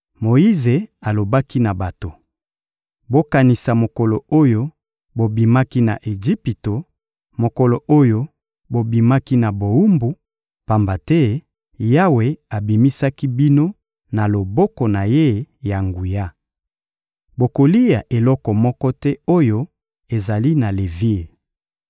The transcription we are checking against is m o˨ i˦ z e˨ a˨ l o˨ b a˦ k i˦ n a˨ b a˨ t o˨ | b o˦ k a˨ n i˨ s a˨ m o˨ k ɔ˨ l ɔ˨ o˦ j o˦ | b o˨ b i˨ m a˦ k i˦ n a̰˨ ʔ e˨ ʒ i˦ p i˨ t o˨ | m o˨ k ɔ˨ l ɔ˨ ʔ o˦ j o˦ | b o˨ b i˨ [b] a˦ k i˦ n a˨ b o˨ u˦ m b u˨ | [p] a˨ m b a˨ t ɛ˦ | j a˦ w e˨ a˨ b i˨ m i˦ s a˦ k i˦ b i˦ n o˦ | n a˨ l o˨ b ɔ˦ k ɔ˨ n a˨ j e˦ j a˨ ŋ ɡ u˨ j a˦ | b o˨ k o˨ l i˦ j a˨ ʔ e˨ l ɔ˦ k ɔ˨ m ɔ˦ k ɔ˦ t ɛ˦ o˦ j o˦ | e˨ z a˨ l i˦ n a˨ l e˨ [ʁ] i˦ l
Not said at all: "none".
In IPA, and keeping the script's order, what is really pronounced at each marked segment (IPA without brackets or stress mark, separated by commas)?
m, p, v